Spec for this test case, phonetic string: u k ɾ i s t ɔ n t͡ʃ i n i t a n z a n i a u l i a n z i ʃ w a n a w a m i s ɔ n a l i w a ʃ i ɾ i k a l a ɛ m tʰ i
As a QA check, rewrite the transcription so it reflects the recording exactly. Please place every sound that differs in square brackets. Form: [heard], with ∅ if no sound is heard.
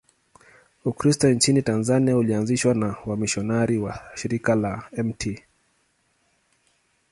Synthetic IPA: u k ɾ i s t ɔ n t͡ʃ i n i t a n z a n i a u l i a n z i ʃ w a n a w a m i [ʃ] ɔ n a [ɾ] i w a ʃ i ɾ i k a l a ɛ m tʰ i